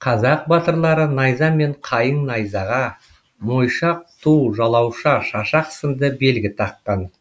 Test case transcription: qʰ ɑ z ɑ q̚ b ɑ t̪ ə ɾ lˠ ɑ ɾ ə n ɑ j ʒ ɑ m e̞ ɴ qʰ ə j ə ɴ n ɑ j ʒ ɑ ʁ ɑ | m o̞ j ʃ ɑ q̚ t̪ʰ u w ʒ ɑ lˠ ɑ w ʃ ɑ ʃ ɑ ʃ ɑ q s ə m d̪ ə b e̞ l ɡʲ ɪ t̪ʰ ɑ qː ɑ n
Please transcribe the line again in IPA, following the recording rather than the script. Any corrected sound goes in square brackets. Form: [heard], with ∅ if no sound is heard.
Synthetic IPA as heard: qʰ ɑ z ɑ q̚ b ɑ t̪ ə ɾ lˠ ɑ ɾ ə n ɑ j [z] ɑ m e̞ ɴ qʰ [ɑ] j ə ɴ n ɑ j [z] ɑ ʁ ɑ | m o̞ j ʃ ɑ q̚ t̪ʰ u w ʒ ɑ lˠ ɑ w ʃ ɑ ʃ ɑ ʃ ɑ q s ə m d̪ ə b e̞ l ɡʲ ɪ t̪ʰ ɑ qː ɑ n

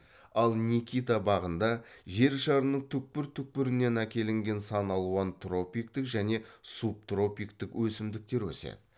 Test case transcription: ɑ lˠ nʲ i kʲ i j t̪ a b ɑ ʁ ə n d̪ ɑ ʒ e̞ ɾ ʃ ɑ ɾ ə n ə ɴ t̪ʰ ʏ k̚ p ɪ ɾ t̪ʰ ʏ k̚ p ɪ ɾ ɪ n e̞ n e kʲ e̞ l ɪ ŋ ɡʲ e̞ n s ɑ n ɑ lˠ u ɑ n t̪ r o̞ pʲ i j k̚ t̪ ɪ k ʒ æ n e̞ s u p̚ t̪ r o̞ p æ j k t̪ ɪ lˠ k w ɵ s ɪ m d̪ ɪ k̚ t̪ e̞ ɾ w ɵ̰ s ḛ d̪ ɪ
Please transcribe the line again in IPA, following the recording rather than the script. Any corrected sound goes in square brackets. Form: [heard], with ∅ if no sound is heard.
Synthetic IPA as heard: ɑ lˠ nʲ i kʲ i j t̪ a b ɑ ʁ ə n d̪ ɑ ʒ e̞ ɾ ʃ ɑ ɾ ə n ə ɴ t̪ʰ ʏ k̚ p ɪ ɾ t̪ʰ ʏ k̚ p ɪ ɾ ɪ n e̞ n [æ] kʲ e̞ l ɪ ŋ ɡʲ e̞ n s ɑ n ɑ lˠ u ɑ n t̪ r o̞ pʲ i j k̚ t̪ ɪ k ʒ æ n e̞ s u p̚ t̪ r o̞ p [i] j k t̪ ɪ [∅] k w ɵ s ɪ m d̪ ɪ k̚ t̪ e̞ ɾ w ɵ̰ s ḛ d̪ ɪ

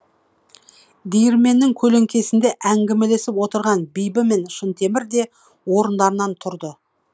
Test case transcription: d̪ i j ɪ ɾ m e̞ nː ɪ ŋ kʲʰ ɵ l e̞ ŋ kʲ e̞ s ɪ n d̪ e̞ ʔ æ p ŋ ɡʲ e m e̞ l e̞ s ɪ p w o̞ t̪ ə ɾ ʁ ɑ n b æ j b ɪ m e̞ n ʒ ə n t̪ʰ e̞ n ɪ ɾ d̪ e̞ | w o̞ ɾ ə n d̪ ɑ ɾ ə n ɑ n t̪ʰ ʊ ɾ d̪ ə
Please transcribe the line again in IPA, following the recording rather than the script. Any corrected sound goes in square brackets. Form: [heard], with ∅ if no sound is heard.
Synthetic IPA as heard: d̪ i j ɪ ɾ m e̞ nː ɪ ŋ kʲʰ ɵ l e̞ ŋ kʲ e̞ s ɪ n d̪ e̞ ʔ æ [∅] ŋ ɡʲ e m e̞ l e̞ s ɪ p w o̞ t̪ ə ɾ ʁ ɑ n b [i] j b ɪ m e̞ n [ʃ] ə n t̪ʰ e̞ [m] ɪ ɾ d̪ e̞ | w o̞ ɾ ə n d̪ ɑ ɾ ə n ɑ n t̪ʰ ʊ ɾ d̪ ə

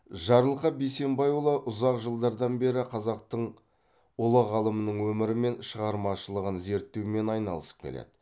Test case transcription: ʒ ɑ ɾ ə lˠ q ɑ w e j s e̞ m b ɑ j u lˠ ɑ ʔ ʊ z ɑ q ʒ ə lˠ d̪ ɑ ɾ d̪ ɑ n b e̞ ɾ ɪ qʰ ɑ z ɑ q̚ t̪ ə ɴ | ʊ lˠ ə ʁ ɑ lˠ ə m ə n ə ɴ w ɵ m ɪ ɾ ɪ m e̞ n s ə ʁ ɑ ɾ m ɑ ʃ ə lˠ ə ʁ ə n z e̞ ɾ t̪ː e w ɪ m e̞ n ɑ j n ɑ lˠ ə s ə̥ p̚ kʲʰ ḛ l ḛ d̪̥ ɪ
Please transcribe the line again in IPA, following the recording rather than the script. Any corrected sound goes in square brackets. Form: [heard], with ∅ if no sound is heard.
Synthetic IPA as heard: ʒ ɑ ɾ ə lˠ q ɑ [b] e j s e̞ m b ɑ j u lˠ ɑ ʔ ʊ z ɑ q ʒ ə lˠ d̪ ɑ ɾ d̪ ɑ n b e̞ ɾ ɪ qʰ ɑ z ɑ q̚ t̪ ə ɴ | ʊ lˠ ə ʁ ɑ lˠ ə m ə n ə ɴ w ɵ m ɪ ɾ ɪ m e̞ n [ʃ] ə ʁ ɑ ɾ m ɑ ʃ ə lˠ ə ʁ ə n z e̞ ɾ t̪ː e w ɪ m e̞ n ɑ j n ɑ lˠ ə s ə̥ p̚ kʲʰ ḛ l ḛ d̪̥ ɪ

